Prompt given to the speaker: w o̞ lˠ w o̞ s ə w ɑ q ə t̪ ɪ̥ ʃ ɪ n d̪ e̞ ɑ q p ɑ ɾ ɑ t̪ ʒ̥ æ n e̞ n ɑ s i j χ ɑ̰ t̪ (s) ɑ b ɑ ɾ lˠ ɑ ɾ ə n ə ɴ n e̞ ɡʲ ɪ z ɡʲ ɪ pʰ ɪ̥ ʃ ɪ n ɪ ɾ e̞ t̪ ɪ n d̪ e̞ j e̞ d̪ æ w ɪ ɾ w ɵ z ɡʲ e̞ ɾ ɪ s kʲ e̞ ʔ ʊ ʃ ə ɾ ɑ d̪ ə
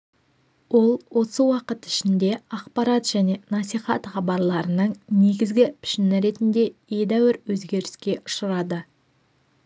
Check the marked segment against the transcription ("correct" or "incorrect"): incorrect